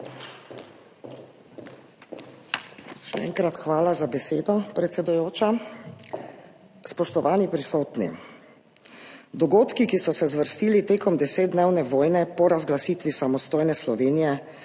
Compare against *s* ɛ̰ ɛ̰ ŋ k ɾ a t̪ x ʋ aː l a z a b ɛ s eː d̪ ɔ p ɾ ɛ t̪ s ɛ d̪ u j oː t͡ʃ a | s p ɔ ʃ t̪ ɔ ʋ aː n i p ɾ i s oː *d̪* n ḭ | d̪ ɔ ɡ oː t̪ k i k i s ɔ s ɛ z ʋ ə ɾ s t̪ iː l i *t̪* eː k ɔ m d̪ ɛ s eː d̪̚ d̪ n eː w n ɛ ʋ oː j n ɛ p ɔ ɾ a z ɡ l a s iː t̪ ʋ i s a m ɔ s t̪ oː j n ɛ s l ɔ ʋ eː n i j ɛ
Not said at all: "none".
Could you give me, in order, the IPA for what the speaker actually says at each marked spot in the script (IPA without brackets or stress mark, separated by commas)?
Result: ʃ, t̪, t̪